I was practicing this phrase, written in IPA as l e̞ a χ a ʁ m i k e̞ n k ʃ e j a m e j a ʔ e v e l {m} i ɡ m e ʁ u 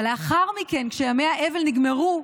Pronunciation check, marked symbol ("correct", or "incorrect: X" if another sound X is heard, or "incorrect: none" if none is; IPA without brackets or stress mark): incorrect: n